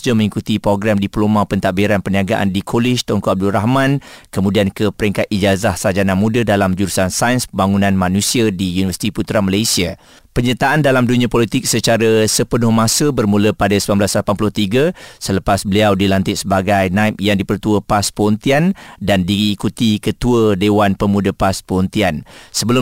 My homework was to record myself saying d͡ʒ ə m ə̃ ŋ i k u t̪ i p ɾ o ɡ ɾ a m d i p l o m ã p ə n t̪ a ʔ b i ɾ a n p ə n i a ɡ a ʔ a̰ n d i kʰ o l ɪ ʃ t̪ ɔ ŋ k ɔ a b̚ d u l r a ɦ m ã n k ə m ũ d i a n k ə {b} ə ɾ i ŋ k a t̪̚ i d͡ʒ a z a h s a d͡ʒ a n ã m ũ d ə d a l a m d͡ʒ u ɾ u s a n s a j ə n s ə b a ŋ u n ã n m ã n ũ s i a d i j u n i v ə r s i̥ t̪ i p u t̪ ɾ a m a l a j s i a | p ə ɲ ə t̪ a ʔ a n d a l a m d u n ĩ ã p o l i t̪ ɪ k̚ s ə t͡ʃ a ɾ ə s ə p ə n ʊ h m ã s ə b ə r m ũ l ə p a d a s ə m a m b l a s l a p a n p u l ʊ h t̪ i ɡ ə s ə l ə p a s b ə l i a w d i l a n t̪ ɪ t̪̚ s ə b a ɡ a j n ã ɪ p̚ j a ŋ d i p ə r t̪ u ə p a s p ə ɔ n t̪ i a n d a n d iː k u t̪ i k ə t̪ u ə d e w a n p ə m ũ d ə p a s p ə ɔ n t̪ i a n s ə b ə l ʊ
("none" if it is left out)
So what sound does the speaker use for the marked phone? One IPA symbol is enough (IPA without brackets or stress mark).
p